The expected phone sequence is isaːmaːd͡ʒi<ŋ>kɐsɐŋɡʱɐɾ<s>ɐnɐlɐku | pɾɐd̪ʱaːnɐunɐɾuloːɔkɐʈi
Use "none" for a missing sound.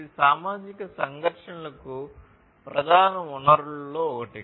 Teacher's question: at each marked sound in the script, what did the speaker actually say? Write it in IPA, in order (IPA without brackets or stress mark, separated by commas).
none, ʂ